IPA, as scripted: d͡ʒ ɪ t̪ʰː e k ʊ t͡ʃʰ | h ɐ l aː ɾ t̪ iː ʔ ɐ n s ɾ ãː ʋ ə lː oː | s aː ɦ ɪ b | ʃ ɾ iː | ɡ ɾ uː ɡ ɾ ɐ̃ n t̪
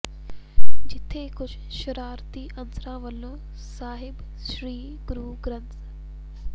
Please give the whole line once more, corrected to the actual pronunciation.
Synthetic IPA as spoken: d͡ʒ ɪ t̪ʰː e k ʊ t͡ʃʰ | ʃ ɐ ɾ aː ɾ t̪ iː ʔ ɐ n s ɾ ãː ʋ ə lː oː | s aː ɦ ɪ b | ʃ ɾ iː | ɡ ɾ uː ɡ ɾ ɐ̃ n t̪